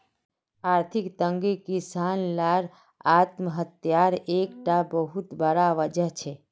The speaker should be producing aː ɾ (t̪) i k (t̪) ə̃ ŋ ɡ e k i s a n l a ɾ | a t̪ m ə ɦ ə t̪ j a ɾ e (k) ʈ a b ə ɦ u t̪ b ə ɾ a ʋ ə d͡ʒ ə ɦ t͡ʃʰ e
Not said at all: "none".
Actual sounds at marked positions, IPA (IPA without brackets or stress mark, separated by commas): t̪ʰ, t̪, k